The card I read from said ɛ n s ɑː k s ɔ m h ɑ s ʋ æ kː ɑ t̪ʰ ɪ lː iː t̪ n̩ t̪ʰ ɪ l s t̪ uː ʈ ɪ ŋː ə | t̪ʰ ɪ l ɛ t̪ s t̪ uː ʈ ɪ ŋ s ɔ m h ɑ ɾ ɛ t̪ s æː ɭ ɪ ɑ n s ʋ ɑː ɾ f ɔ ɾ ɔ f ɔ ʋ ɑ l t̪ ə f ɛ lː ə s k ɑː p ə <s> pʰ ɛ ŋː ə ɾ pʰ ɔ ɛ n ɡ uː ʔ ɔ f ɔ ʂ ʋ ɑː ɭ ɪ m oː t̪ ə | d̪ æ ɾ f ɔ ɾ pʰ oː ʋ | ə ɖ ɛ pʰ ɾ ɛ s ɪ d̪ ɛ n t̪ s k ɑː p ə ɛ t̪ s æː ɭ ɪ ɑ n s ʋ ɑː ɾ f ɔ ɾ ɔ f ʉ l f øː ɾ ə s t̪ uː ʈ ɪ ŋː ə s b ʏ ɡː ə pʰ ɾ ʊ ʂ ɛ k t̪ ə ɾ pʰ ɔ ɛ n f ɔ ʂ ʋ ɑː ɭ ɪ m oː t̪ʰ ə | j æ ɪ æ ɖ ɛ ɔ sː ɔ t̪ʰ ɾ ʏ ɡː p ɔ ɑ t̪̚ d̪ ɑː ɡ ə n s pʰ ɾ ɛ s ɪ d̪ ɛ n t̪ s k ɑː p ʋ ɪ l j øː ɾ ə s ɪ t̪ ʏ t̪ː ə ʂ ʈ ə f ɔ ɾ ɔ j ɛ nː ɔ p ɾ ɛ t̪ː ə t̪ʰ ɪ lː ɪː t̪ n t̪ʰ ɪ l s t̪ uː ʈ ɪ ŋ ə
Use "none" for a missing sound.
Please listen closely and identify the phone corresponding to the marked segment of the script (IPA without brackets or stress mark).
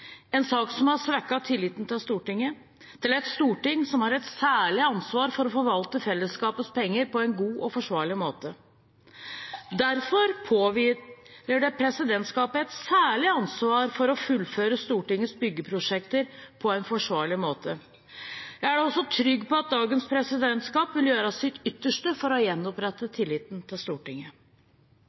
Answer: s